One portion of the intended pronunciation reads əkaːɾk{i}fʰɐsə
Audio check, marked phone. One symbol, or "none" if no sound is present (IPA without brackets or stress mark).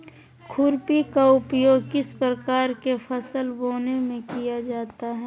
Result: e